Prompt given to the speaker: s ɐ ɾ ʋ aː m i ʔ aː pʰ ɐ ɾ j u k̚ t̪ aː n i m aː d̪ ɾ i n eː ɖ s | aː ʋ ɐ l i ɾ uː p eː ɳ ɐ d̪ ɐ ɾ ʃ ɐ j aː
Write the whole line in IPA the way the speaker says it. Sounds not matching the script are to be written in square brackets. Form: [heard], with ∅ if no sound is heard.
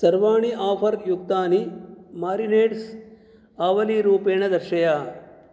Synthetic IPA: s ɐ ɾ ʋ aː [ɳ] i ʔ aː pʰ ɐ ɾ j u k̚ t̪ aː n i m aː [∅] ɾ i n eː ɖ s | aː ʋ ɐ l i ɾ uː p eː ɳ ɐ d̪ ɐ ɾ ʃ ɐ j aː